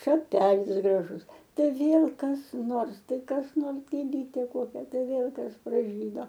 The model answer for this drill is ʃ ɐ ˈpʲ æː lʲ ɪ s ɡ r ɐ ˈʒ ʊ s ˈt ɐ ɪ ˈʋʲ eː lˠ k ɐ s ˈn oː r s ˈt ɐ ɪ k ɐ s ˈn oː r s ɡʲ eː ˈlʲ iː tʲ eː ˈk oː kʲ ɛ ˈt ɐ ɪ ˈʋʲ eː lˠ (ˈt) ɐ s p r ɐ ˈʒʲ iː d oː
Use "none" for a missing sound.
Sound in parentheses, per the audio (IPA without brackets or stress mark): k